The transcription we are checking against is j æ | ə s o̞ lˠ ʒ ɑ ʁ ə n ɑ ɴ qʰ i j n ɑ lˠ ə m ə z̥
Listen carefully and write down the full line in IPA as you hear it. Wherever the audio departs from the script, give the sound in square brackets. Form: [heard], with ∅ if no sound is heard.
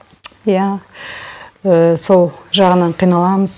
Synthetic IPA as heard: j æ | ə s o̞ lˠ ʒ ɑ ʁ ə n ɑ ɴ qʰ i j n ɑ lˠ [ɑ] m ə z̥